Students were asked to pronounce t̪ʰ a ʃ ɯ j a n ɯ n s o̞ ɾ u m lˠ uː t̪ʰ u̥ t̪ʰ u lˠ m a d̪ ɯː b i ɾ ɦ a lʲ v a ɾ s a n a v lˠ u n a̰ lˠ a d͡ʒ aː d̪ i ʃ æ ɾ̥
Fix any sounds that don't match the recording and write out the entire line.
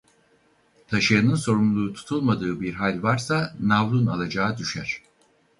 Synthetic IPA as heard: t̪ʰ a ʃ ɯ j a n ɯ n s o̞ ɾ u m lˠ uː t̪ʰ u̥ t̪ʰ u lˠ m a d̪ ɯː b i ɾ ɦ a lʲ v a ɾ s a n a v lˠ u n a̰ lˠ a d͡ʒ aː d̪ y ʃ æ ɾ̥